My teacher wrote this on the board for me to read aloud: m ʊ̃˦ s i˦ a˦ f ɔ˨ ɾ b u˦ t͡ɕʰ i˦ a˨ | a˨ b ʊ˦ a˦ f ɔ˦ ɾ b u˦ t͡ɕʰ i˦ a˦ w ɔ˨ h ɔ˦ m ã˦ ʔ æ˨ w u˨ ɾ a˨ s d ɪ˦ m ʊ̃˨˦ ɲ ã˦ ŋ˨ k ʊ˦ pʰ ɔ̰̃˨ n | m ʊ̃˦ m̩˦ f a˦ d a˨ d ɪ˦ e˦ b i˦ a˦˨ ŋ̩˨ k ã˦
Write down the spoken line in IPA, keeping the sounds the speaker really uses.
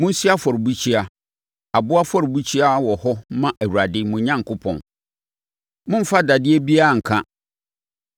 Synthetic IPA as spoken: m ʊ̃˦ s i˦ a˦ f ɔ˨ ɾ b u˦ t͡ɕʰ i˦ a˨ | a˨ b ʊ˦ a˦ f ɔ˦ ɾ b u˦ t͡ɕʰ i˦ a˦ w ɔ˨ h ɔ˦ m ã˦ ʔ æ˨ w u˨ ɾ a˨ d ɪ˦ m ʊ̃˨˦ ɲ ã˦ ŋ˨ k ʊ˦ pʰ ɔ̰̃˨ n | m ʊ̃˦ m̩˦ f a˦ d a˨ d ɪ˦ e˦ b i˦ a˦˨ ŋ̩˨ kʰ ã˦